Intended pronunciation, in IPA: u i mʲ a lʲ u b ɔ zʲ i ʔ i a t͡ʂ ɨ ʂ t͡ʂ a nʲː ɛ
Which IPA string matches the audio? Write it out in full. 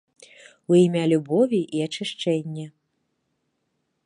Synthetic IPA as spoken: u i mʲ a lʲ u b ɔ vʲ i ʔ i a t͡ʂ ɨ ʂ t͡ʂ ɛ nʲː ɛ